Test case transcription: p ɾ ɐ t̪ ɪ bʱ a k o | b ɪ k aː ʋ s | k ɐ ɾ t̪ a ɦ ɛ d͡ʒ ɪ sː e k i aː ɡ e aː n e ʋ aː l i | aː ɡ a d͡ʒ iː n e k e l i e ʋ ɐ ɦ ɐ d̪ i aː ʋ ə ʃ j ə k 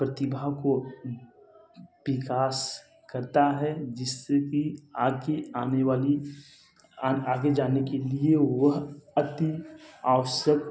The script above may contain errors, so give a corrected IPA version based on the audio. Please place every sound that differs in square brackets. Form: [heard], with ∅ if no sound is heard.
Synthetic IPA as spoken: p ɾ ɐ t̪ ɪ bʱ a k o | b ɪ k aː [∅] s | k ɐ ɾ t̪ a ɦ ɛ d͡ʒ ɪ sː e k i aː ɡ e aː n e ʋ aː l i | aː ɡ [e] d͡ʒ [aː] n e k e l i e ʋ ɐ ɦ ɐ [t̪] i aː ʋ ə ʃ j ə k